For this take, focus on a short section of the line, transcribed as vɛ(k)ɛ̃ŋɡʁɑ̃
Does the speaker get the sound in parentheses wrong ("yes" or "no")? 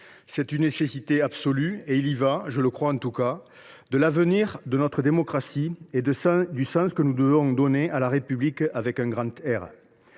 no